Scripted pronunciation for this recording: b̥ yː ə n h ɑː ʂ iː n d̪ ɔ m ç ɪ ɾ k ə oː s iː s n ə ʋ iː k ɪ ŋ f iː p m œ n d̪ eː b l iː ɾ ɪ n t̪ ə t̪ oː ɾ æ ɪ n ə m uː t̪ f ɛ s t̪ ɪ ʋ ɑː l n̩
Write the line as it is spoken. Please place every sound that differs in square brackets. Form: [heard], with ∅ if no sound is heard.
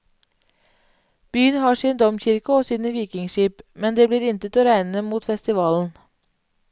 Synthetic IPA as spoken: b̥ yː ə n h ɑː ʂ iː n d̪ ɔ m ç ɪ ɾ k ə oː s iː [∅] n ə ʋ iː k ɪ ŋ [ʃ] iː p m [ɛ] n d̪ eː b l iː ɾ ɪ n t̪ ə t̪ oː ɾ æ ɪ n ə m uː t̪ f ɛ s t̪ ɪ ʋ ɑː l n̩